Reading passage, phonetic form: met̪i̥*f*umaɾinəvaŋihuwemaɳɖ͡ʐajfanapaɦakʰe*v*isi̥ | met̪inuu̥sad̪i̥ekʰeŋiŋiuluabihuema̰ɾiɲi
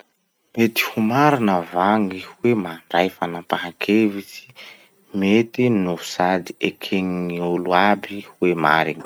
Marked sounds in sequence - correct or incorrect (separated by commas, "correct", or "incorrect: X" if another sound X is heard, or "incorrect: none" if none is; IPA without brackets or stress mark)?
incorrect: h, correct